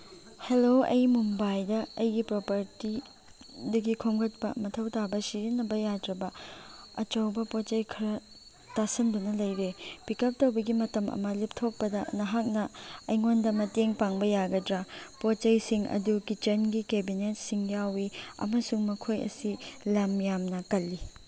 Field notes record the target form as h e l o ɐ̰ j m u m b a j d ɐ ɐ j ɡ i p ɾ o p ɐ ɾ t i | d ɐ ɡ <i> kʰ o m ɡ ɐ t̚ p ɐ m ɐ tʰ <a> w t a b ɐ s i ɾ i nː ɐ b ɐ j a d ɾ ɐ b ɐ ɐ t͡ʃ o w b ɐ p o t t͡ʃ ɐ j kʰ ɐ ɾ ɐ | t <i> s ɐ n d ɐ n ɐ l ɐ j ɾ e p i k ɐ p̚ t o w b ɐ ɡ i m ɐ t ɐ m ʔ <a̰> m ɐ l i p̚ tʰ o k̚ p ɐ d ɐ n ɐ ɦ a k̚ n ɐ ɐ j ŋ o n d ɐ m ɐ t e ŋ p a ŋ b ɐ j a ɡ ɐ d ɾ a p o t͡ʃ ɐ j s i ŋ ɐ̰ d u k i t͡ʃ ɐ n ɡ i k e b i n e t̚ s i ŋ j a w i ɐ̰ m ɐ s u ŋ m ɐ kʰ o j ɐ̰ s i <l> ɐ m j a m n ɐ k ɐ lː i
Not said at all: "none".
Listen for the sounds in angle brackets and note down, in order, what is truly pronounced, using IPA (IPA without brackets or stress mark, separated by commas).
i, ɐ, a, ɐ̰, l